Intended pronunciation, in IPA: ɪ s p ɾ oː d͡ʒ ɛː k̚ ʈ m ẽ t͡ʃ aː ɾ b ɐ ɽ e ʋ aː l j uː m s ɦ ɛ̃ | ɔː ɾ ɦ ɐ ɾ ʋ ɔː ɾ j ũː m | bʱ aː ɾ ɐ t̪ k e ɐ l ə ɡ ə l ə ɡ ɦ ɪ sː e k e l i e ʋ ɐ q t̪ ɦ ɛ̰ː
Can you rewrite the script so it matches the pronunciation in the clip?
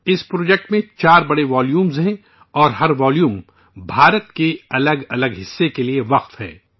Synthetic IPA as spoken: ɪ s p ɾ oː d͡ʒ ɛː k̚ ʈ m ẽ t͡ʃ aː ɾ b ɐ ɽ e ʋ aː l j uː m z ɦ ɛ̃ | ɔː ɾ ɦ ɐ ɾ ʋ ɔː l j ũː m | bʱ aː ɾ ə t̪ k e ɐ l ə ɡ ɐ l ə ɡ ɦ ɪ sː e k e l i e ʋ ɐ q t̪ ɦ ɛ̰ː